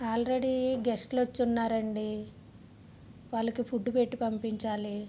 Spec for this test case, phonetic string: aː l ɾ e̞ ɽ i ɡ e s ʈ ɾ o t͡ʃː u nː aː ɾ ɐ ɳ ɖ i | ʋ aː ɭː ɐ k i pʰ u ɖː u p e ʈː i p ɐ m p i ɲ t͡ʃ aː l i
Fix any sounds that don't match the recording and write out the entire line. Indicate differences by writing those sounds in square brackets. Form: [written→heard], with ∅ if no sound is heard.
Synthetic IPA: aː l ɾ e̞ ɽ i ɡ e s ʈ [ɾ→l] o t͡ʃː u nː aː ɾ ɐ ɳ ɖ i | ʋ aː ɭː ɐ k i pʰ u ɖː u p e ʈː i p ɐ m p i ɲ t͡ʃ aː l i

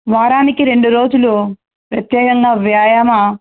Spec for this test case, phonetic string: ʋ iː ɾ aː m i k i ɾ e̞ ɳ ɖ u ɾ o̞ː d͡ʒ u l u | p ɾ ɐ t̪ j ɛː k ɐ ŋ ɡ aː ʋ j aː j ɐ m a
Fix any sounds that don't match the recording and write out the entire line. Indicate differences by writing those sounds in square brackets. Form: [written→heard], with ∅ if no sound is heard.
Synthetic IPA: ʋ [iː→aː] ɾ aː [m→n] i k i ɾ e̞ ɳ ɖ u ɾ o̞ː d͡ʒ u l u | p ɾ ɐ t̪ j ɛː k ɐ ŋ ɡ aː ʋ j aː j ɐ m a

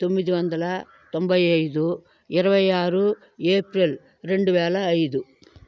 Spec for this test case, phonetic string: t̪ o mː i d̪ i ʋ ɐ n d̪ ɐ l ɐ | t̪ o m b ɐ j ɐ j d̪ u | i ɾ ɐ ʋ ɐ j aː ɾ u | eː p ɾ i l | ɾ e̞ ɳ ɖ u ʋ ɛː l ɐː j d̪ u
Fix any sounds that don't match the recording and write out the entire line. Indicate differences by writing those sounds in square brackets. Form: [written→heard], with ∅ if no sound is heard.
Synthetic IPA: t̪ o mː i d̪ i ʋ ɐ n d̪ ɐ l ɐ | t̪ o m b ɐ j ɐ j d̪ u | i ɾ ɐ ʋ ɐ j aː ɾ u | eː p ɾ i l | ɾ e̞ ɳ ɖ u ʋ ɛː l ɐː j d̪ u

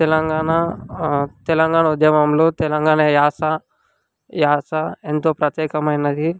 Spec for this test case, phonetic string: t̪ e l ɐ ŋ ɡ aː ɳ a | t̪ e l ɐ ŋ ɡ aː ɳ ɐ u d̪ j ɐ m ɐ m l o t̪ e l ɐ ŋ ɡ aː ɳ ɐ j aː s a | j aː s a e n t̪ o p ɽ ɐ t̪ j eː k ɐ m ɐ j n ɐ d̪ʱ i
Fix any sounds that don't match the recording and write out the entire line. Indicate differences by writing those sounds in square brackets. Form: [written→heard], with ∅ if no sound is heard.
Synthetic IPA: t̪ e l ɐ ŋ ɡ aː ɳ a | t̪ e l ɐ ŋ ɡ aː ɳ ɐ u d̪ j ɐ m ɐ m l o t̪ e l ɐ ŋ ɡ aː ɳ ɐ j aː s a | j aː s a e n t̪ o p [ɽ→ɾ] ɐ t̪ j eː k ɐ m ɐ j n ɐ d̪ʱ i

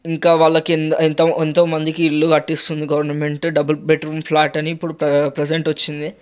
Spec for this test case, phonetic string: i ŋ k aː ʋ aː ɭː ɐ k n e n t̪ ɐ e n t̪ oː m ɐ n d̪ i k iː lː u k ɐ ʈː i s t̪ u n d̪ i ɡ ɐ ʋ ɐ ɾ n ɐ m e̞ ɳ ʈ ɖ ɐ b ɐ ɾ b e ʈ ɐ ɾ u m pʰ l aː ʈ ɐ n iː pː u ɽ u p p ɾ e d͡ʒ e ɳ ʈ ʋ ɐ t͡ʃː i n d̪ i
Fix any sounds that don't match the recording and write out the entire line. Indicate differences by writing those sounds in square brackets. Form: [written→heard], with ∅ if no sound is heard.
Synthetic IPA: i ŋ k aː ʋ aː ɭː ɐ k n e n t̪ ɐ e n t̪ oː m ɐ n d̪ i k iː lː u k ɐ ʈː i s t̪ u n d̪ i ɡ ɐ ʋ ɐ ɾ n ɐ m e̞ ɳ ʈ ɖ ɐ b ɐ [ɾ→l] b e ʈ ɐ ɾ u m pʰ l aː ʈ ɐ n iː pː u ɽ u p p ɾ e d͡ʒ e ɳ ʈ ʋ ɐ t͡ʃː i n d̪ i

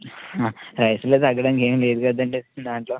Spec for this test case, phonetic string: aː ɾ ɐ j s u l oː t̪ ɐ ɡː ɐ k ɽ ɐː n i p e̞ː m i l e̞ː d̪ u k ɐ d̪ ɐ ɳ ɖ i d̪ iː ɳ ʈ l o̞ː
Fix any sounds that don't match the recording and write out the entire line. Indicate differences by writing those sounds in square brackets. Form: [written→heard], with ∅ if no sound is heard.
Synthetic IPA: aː ɾ ɐ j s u l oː t̪ ɐ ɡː ɐ [k→∅] ɽ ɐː n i [p→k] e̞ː m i l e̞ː d̪ u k ɐ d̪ ɐ ɳ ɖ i d̪ [iː→aː] ɳ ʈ l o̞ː

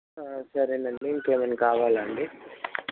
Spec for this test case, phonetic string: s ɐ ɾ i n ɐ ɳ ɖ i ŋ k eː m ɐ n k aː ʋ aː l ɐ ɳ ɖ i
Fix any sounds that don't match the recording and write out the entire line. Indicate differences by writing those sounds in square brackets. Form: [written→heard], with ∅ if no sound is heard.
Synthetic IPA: s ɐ ɾ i n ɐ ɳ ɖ i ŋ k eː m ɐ n k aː ʋ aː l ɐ ɳ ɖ i

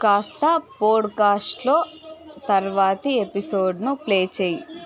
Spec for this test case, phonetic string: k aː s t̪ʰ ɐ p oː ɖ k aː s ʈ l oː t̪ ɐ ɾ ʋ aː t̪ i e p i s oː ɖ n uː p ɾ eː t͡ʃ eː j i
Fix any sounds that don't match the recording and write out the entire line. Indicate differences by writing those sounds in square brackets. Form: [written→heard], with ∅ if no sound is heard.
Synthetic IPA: k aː s [t̪ʰ→t̪] ɐ p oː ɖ k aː s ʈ l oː t̪ ɐ ɾ ʋ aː t̪ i e p i s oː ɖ n [uː→u] p [ɾ→l] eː t͡ʃ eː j i

